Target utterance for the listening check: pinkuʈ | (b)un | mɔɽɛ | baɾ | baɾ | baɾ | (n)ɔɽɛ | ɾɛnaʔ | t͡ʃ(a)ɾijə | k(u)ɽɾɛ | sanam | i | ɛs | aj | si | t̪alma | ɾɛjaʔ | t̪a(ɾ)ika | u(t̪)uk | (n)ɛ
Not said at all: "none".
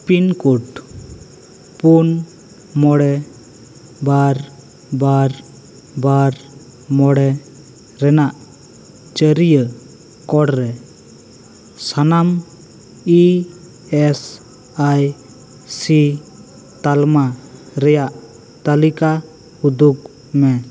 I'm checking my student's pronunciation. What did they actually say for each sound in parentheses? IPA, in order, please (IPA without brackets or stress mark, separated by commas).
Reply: p, m, ə, ɔ, l, d̪, m